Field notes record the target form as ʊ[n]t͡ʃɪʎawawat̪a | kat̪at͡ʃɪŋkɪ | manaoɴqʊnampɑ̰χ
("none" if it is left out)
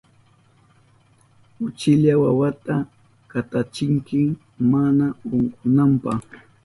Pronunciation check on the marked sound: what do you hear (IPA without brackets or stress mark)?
none